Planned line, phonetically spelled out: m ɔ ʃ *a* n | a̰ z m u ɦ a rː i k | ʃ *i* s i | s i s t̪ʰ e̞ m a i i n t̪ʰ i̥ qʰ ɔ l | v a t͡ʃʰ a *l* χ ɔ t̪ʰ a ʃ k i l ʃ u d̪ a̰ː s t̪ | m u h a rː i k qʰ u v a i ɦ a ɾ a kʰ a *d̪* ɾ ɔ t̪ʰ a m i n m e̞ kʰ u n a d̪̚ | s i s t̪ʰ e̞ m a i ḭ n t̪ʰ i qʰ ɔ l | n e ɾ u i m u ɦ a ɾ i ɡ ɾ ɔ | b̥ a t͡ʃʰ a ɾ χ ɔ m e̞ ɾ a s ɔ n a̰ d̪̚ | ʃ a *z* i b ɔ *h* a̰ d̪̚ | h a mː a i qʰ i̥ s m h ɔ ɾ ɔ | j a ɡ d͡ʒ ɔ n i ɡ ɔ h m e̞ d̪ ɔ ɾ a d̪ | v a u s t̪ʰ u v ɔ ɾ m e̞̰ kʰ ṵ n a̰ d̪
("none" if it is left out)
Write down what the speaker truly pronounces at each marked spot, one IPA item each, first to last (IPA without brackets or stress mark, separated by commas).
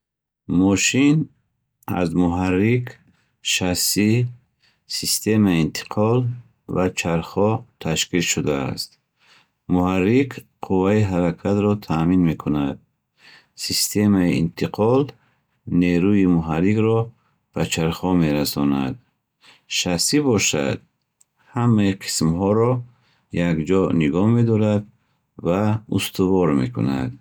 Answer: i, a, ɾ, t̪, s, ʃ